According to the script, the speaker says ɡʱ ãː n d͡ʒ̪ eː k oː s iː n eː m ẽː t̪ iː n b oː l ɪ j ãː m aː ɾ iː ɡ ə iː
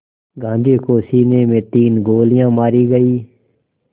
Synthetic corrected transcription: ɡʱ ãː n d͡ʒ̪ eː k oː s iː n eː m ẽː t̪ iː n ɡ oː l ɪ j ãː m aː ɾ iː ɡ ə iː